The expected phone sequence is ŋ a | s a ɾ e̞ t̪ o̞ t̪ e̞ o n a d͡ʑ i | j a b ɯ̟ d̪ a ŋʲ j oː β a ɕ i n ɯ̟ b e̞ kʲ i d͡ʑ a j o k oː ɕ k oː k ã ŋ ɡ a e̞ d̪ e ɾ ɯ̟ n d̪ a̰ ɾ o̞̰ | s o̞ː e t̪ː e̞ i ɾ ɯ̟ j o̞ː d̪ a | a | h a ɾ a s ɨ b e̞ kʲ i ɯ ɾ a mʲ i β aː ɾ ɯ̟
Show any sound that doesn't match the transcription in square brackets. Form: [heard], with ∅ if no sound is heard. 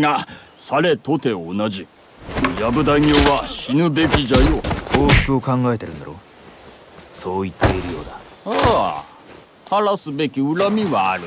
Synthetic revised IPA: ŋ a | s a ɾ e̞ t̪ o̞ t̪ e̞ o n a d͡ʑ i | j a b ɯ̟ d̪ a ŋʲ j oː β a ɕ i n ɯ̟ b e̞ kʲ i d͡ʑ a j o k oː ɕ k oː k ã ŋ ɡ a e̞ [t̪] e ɾ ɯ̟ n d̪ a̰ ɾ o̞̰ | s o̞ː [i] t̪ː e̞ i ɾ ɯ̟ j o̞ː d̪ a | a | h a ɾ a s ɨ b e̞ kʲ i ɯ ɾ a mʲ i β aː ɾ ɯ̟

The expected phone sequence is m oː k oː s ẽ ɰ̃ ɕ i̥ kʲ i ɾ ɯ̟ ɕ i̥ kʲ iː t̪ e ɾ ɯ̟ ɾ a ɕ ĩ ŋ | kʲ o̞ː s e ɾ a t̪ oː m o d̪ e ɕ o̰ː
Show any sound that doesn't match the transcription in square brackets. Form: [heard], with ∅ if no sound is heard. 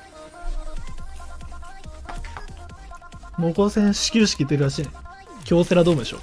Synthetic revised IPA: m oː k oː s ẽ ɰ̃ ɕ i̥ kʲ i ɾ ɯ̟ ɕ i̥ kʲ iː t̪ e ɾ ɯ̟ ɾ a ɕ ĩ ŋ | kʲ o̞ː s e ɾ a [d̪] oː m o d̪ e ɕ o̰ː

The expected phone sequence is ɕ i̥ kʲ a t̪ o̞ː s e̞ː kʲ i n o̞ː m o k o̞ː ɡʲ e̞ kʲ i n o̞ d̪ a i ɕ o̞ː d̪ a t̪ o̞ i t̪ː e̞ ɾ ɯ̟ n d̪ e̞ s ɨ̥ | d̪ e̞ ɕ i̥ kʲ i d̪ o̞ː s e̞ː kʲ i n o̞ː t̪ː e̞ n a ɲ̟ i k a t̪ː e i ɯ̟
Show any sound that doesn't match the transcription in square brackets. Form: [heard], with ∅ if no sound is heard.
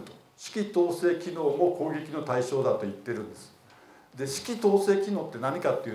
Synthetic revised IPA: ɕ i̥ kʲ [i] t̪ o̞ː s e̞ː kʲ i n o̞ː m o k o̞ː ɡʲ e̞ kʲ i n o̞ [t̪] a i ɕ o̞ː d̪ a t̪ o̞ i t̪ː e̞ ɾ [ɯ̟̃] n d̪ e̞ s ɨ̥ | d̪ e̞ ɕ i̥ kʲ i [t̪] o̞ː s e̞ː kʲ i n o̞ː t̪ː e̞ n a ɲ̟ i k a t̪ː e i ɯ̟

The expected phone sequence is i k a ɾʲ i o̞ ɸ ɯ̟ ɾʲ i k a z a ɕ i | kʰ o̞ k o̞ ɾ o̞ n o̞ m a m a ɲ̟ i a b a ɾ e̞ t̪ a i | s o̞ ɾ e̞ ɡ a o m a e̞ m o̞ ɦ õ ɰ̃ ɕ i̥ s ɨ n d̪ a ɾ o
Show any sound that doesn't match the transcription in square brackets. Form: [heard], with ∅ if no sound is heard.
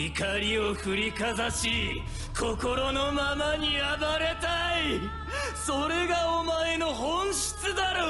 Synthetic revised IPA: i k a ɾʲ i o̞ ɸ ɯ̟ ɾʲ i k a z a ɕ i | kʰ o̞ k o̞ ɾ o̞ n o̞ m a m a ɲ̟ i a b a ɾ e̞ t̪ a i | s o̞ ɾ e̞ ɡ a o m a e̞ [n] o̞ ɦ õ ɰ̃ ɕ i̥ [t͡s] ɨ [∅] d̪ a ɾ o

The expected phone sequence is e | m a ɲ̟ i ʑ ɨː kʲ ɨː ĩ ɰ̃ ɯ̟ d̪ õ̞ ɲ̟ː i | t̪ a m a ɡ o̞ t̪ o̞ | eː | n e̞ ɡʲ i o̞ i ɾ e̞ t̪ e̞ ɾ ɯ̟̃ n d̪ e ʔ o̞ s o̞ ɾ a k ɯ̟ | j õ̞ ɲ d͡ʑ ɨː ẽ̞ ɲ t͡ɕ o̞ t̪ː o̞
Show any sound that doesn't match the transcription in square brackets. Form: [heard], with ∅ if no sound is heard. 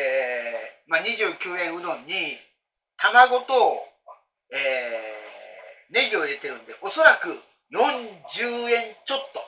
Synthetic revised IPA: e | m a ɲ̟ i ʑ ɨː kʲ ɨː [ẽ] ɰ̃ ɯ̟ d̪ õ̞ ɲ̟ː i | t̪ a m a ɡ o̞ t̪ o̞ | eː | n e̞ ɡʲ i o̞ i ɾ e̞ t̪ e̞ ɾ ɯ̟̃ n d̪ e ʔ o̞ s o̞ ɾ a k ɯ̟ | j õ̞ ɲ d͡ʑ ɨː ẽ̞ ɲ t͡ɕ o̞ t̪ː o̞

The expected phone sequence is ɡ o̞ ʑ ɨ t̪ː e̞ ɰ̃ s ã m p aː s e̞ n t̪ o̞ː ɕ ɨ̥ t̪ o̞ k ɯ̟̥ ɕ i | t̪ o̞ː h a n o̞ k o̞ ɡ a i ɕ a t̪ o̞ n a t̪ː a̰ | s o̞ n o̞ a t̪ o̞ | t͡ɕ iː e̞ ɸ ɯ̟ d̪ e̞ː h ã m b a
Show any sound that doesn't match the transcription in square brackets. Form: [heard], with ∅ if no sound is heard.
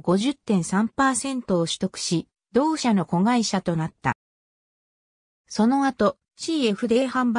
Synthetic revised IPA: ɡ o̞ ʑ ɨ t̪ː [ẽ̞] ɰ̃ s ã m p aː s [ẽ̞] n t̪ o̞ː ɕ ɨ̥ t̪ o̞ k ɯ̟̥ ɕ i | [d̪] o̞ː [ɕ] a n o̞ k o̞ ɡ a i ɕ a t̪ o̞ n a t̪ː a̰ | s o̞ n o̞ a t̪ o̞ | t͡ɕ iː e̞ ɸ ɯ̟ d̪ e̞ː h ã m b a

